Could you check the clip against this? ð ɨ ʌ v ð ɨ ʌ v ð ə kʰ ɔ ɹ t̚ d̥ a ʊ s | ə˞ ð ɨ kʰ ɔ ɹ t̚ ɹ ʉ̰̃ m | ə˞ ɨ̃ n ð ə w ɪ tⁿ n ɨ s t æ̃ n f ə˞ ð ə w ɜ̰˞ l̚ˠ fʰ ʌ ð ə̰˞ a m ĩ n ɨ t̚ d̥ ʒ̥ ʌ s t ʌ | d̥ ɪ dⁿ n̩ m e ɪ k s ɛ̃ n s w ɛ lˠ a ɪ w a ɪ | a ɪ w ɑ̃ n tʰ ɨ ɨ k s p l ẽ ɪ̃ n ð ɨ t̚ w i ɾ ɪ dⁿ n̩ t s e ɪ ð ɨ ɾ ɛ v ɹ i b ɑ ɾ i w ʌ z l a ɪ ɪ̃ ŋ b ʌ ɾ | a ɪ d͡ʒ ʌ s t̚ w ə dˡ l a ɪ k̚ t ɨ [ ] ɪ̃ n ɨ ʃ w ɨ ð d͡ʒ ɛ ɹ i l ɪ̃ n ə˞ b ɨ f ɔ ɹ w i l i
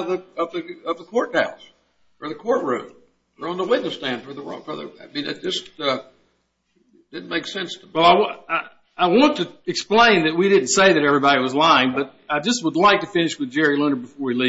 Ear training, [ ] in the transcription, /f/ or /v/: f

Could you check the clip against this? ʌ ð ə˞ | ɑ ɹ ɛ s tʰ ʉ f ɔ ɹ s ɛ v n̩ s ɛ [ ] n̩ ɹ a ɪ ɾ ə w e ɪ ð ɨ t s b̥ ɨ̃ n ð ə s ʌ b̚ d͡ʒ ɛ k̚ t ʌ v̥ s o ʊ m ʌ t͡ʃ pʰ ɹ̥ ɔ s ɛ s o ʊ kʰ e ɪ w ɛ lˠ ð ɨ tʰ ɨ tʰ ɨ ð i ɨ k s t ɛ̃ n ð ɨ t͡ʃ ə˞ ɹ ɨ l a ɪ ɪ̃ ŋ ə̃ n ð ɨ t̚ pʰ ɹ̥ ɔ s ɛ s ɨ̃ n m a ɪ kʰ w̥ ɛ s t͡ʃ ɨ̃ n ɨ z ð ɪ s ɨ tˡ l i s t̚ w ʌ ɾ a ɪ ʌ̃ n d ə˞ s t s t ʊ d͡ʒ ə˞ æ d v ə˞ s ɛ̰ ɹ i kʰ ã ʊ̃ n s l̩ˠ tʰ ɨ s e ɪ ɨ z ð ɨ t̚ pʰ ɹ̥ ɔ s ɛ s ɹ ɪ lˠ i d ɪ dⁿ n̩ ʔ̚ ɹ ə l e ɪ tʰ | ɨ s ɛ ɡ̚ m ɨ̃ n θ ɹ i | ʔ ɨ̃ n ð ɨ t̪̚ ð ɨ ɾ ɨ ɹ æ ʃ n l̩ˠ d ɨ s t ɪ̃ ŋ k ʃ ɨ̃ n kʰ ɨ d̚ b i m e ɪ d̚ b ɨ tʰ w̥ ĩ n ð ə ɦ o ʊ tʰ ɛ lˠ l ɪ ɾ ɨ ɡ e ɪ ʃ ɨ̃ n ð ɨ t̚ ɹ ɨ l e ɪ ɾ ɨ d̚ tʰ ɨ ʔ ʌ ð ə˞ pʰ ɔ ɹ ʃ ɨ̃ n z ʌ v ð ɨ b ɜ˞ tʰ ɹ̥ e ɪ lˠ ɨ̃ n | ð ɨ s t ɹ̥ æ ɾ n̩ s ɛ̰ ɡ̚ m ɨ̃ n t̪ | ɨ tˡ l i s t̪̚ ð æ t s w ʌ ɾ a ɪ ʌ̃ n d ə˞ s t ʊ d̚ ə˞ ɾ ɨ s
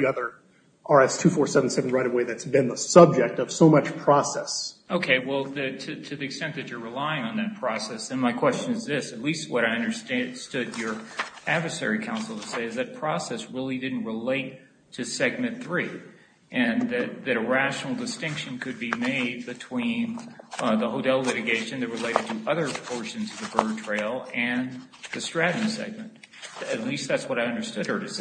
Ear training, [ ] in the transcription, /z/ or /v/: v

